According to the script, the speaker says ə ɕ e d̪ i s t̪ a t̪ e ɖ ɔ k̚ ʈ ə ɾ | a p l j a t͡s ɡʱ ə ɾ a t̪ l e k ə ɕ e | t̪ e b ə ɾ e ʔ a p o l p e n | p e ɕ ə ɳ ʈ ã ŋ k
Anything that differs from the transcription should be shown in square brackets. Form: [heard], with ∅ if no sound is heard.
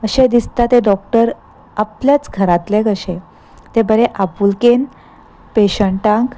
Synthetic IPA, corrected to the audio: ə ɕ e d̪ i s t̪ a t̪ e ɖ ɔ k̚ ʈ ə ɾ | a p l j a t͡s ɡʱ ə ɾ a t̪ l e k ə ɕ e | t̪ e b ə ɾ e ʔ a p [u] l [k] e n | p e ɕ ə ɳ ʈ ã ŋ k